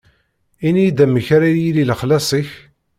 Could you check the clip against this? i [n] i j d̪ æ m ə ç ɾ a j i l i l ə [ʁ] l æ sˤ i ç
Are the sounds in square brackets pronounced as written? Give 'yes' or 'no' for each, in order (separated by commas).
yes, no